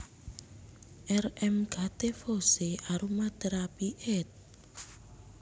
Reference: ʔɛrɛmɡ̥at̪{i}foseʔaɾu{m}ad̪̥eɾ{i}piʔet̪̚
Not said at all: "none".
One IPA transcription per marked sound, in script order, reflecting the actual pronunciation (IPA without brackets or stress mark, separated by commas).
e, m, a